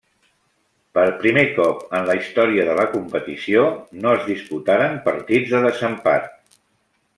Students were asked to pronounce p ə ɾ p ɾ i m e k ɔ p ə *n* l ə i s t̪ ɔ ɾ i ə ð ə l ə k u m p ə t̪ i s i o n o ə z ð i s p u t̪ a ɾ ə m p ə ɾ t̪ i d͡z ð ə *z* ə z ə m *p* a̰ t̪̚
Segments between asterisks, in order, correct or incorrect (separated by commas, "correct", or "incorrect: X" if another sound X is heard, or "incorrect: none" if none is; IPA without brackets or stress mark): correct, incorrect: ð, correct